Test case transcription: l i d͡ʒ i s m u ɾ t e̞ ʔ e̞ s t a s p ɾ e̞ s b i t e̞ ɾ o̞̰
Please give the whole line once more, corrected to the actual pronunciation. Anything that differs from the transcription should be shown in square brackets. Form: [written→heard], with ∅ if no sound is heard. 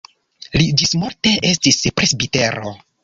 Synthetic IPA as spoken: l i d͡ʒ i s m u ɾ t e̞ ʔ e̞ s t [a→i] s p ɾ e̞ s b i t e̞ ɾ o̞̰

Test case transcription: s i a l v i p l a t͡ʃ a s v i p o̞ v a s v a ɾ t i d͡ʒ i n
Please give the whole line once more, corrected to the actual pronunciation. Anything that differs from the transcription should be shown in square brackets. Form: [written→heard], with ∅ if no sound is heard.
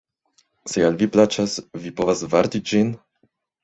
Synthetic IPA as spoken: s [i→e] a l v i p l a t͡ʃ a s v i p o̞ v a s v a ɾ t i d͡ʒ i n

